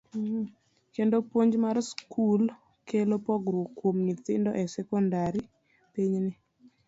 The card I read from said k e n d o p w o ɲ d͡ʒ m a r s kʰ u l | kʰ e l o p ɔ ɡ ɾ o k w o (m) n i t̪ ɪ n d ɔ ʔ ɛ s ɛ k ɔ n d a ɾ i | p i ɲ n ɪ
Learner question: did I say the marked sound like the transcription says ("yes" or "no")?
yes